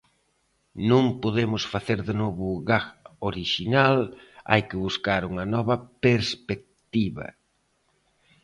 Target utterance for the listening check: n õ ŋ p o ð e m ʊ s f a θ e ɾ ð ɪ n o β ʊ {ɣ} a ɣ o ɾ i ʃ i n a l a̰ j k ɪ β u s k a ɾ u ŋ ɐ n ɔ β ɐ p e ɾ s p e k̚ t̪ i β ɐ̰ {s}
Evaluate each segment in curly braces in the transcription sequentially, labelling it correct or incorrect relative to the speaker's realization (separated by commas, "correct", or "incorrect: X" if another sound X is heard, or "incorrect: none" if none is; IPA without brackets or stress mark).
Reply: correct, incorrect: none